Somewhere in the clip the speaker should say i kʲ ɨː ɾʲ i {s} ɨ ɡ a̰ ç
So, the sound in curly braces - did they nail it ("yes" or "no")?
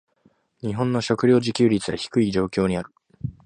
no